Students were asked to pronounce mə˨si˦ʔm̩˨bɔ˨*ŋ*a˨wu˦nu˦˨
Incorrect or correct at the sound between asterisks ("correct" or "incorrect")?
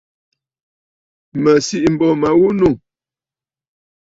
incorrect